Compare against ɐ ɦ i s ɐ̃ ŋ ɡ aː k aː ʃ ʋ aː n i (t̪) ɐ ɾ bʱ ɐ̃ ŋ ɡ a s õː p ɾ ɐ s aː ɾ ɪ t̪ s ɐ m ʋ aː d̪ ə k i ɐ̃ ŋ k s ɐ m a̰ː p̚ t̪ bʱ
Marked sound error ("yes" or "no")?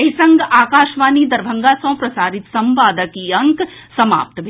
yes